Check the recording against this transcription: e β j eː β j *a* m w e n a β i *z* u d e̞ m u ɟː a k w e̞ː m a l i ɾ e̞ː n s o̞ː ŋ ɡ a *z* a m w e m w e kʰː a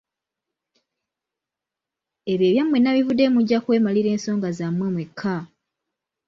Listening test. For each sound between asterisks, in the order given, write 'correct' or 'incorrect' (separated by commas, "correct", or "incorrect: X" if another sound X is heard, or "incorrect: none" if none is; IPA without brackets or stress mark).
correct, incorrect: v, correct